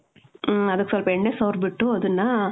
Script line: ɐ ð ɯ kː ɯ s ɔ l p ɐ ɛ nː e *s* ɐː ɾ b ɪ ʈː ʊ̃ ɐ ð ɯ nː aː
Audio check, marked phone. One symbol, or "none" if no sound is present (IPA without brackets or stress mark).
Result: s